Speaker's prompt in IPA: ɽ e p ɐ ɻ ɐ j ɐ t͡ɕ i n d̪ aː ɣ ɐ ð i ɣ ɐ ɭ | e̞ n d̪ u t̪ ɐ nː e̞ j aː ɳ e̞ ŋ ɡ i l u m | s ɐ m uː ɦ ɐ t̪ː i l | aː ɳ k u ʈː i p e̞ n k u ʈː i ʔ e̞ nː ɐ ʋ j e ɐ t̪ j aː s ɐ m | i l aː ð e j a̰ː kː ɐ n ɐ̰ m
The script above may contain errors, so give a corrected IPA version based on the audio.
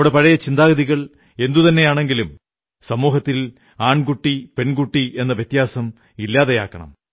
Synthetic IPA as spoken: ɽ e p ɐ ɻ ɐ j ɐ t͡ɕ i n d̪ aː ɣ ɐ ð i ɣ ɐ ɭ | e̞ n d̪ u t̪ ɐ nː e̞ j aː ɳ e̞ ŋ ɡ i l u m | s ɐ m uː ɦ ɐ t̪ː i l | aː ɳ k u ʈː i p e̞ n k u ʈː i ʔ e̞ nː ɐ ʋ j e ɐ t̪ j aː s ɐ m | i lː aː ð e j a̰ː kː ɐ ɳ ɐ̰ m